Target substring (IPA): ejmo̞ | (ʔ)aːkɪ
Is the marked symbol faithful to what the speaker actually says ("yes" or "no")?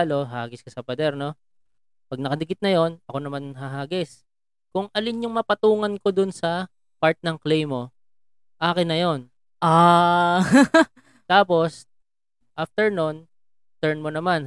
yes